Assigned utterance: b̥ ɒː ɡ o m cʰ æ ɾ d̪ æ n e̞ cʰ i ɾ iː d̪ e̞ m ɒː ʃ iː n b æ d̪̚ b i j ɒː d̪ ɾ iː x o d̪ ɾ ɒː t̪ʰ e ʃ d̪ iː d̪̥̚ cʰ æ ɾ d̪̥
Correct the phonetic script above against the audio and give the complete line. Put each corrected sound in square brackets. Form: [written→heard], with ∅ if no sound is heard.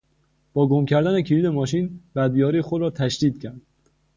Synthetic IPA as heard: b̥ ɒː ɡ o m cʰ æ ɾ d̪ æ n e̞ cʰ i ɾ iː d̪ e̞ m ɒː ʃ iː n b æ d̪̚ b i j ɒː [d̪→∅] ɾ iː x o d̪ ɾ ɒː t̪ʰ [e→æ] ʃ d̪ iː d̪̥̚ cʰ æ ɾ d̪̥